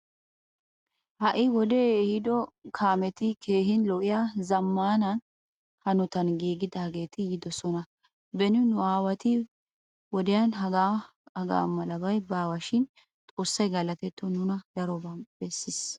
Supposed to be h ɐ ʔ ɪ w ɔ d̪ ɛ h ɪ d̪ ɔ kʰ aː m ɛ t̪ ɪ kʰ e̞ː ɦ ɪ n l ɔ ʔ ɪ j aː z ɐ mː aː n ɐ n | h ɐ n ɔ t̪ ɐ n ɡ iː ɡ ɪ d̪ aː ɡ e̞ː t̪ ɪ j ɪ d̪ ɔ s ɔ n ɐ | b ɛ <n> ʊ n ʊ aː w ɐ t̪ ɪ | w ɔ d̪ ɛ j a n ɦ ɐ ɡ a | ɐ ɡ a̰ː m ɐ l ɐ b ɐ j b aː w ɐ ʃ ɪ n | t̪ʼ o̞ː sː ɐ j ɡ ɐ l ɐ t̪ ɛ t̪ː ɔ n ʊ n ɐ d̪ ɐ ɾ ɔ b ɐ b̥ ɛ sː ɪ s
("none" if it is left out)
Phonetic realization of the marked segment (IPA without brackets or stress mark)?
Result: n